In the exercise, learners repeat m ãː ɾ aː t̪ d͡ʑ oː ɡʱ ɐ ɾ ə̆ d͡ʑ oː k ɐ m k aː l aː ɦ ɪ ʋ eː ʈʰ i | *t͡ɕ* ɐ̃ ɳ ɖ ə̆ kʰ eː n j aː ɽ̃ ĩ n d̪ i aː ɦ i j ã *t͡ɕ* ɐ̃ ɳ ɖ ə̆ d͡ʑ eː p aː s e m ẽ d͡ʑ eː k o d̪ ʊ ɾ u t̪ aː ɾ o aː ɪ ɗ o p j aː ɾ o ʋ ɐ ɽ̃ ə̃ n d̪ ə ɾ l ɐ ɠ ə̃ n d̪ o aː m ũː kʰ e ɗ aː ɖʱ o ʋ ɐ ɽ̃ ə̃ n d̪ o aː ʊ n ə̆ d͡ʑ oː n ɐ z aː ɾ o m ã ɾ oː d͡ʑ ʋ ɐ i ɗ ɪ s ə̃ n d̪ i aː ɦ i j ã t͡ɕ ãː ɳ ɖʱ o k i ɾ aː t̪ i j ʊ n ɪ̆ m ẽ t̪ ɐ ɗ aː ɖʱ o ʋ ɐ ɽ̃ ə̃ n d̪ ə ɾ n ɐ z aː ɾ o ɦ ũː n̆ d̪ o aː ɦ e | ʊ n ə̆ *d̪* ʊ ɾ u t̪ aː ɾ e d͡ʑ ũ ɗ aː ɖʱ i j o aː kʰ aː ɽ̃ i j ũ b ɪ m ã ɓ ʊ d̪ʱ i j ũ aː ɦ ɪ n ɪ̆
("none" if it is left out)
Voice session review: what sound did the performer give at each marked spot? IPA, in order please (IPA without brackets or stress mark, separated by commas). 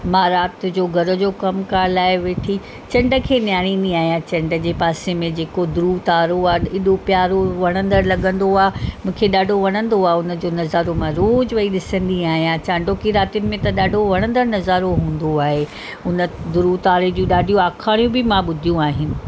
t͡ɕ, t͡ɕ, d̪